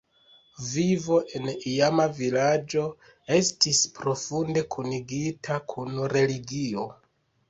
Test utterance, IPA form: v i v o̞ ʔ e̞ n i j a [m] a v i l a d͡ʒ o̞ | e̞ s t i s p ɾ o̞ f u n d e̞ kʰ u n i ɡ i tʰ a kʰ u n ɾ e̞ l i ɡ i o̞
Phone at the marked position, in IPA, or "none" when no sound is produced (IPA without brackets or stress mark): m